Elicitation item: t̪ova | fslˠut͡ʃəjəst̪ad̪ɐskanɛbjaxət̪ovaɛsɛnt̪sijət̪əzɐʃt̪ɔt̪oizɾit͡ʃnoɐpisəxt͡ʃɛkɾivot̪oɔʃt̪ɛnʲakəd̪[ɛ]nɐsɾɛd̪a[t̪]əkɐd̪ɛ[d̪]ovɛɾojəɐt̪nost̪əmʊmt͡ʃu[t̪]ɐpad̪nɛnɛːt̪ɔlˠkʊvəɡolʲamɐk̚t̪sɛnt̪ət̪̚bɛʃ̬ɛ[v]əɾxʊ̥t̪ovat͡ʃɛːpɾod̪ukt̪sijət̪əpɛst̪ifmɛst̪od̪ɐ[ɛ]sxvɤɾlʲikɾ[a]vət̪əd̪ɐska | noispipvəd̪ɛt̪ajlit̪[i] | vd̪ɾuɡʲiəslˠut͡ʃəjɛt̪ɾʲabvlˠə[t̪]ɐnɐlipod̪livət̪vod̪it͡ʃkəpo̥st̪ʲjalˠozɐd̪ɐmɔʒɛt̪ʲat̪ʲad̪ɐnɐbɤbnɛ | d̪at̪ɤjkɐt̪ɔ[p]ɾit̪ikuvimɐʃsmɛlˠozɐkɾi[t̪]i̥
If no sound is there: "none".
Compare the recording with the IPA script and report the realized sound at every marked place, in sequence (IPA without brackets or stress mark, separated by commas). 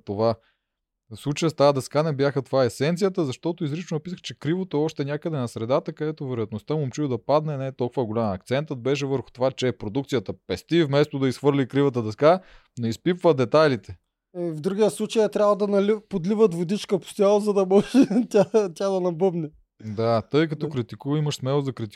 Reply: ɛ, t̪, t̪, d̪, v, i, i, ɛ, d̪, k, t̪